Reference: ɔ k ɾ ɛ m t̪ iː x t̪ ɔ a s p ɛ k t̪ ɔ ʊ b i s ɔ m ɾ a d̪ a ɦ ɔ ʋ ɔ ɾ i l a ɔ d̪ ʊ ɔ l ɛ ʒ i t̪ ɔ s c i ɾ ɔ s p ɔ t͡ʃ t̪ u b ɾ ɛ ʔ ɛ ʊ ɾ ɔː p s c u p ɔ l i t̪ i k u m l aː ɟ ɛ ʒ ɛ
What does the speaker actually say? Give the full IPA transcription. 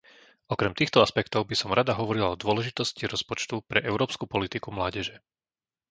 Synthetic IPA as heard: ɔ k ɾ ɛ m t̪ iː x t̪ ɔ a s p ɛ k t̪ ɔ ʊ b i s ɔ m ɾ a d̪ a ɦ ɔ ʋ ɔ ɾ i l a ɔ d̪ ʊ ɔ l ɛ ʒ i t̪ ɔ s c i ɾ ɔ s p ɔ t͡ʃ t̪ u p ɾ ɛ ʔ ɛ ʊ ɾ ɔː p s k u p ɔ l i t̪ i k u m l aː ɟ ɛ ʒ ɛ

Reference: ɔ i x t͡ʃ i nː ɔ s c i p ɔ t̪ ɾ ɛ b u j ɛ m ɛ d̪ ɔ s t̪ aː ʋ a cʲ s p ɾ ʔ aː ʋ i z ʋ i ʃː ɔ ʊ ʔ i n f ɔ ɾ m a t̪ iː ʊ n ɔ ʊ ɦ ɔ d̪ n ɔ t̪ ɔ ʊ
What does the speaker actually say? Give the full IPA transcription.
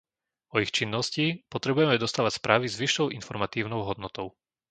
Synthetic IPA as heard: ɔ i x t͡ʃ i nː ɔ s c i p ɔ t̪ ɾ ɛ b u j ɛ m ɛ d̪ ɔ s t̪ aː ʋ a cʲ s p ɾ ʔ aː ʋ i z ʋ i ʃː ɔ ʊ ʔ i n f ɔ ɾ m a t̪ iː ʊ n ɔ ʊ ɦ ɔ d̪ n ɔ t̪ ɔ ʊ

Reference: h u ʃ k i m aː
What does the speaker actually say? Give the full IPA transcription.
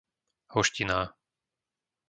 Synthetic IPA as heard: h ɔ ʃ c i n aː

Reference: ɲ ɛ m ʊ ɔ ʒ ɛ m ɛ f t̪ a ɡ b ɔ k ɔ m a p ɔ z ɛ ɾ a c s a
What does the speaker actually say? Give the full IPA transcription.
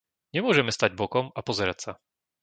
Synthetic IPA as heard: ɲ ɛ m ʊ ɔ ʒ ɛ m ɛ s t̪ a ɟ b ɔ k ɔ m a p ɔ z ɛ ɾ a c s a

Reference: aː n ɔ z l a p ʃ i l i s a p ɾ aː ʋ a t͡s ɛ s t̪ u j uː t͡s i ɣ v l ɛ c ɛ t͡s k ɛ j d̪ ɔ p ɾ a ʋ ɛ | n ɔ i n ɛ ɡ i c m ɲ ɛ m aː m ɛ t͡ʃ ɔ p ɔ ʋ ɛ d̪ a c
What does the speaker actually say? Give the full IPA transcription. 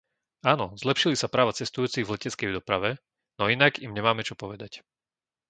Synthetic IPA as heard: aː n ɔ z l ɛ p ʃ i l i s a p ɾ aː ʋ a t͡s ɛ s t̪ u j uː t͡s i ɣ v l ɛ c ɛ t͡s k ɛ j d̪ ɔ p ɾ a ʋ ɛ | n ɔ i n a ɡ i m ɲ ɛ m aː m ɛ t͡ʃ ɔ p ɔ ʋ ɛ d̪ a c

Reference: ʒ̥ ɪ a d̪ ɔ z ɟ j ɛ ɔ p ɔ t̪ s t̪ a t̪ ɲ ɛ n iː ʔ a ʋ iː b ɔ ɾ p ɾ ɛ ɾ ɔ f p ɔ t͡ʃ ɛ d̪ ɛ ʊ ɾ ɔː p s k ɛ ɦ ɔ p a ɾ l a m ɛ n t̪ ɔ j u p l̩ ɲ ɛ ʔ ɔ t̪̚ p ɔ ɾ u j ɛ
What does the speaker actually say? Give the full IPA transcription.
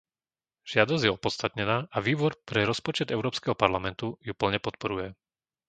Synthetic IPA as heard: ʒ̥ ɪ a d̪ ɔ z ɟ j ɛ ɔ p ɔ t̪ s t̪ a t̪ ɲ ɛ n aː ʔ a ʋ iː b ɔ ɾ p ɾ ɛ ɾ ɔ s p ɔ t͡ʃ ɛ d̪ ɛ ʊ ɾ ɔː p s k ɛ ɦ ɔ p a ɾ l a m ɛ n t̪ u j u p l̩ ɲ ɛ p ɔ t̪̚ p ɔ ɾ u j ɛ

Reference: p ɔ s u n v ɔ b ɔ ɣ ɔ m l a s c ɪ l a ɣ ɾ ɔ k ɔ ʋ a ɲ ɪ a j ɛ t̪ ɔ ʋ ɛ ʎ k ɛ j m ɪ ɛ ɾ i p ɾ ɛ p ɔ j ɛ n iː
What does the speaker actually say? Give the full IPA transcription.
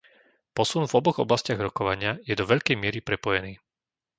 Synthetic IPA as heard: p ɔ s u n v ɔ b ɔ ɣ ɔ b l a s c ɪ a ɣ ɾ ɔ k ɔ ʋ a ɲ ɪ a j ɛ d̪ ɔ ʋ ɛ ʎ k ɛ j m ɪ ɛ ɾ i p ɾ ɛ p ɔ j ɛ n iː

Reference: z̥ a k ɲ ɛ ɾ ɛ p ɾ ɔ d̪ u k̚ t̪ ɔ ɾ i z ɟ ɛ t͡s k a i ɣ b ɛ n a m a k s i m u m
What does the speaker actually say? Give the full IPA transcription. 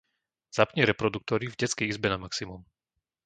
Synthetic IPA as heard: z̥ a p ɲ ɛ ɾ ɛ p ɾ ɔ d̪ u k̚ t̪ ɔ ɾ i v ɟ ɛ t͡s k ɛ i z b ɛ n a m a k s i m u m

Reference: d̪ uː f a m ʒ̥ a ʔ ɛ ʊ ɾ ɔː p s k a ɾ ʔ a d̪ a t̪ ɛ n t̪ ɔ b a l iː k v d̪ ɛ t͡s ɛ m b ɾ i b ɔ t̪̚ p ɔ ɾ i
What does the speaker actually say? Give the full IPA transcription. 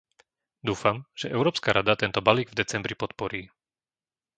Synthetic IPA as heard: d̪ uː f a m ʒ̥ ɛ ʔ ɛ ʊ ɾ ɔː p s k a ɾ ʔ a d̪ a t̪ ɛ n t̪ ɔ b a l iː ɡ v d̪ ɛ t͡s ɛ m b ɾ i p ɔ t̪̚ p ɔ ɾ iː

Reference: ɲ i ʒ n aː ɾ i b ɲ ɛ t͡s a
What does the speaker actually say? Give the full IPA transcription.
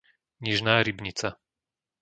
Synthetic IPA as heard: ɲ i ʒ n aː ɾ i b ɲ i t͡s a

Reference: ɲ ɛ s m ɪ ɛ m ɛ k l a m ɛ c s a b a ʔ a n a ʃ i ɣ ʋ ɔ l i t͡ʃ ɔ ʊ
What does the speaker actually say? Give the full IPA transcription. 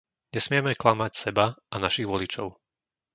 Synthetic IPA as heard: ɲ ɛ s m ɪ ɛ m ɛ k l a m a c s ɛ b a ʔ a n a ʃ i ɣ ʋ ɔ l i t͡ʃ ɔ ʊ

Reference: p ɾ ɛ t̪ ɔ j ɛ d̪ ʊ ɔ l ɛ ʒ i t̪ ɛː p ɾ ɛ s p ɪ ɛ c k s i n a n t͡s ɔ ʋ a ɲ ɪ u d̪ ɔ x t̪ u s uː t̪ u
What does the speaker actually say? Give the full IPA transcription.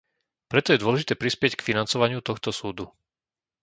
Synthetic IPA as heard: p ɾ ɛ t̪ ɔ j ɛ d̪ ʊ ɔ l ɛ ʒ i t̪ ɛː p ɾ i s p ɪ ɛ c k f i n a n t͡s ɔ ʋ a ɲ ɪ u t̪ ɔ x t̪ ɔ s uː d̪ u

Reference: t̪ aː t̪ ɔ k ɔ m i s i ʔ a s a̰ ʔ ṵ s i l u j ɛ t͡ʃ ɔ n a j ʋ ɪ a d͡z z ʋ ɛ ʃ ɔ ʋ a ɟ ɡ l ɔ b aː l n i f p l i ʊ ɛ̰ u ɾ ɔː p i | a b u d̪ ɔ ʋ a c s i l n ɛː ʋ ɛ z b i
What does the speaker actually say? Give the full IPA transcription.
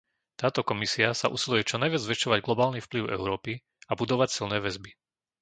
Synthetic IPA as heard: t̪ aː t̪ ɔ k ɔ m i s i a s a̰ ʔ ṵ s i l u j ɛ t͡ʃ ɔ n a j ʋ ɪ a d͡z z ʋ ɛ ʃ ɔ ʋ a ɟ ɡ l ɔ b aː l n i f p l i ʊ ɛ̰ ʊ ɾ ɔː p i | a b u d̪ ɔ ʋ a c s i l n ɛː ʋ ɛ z b i

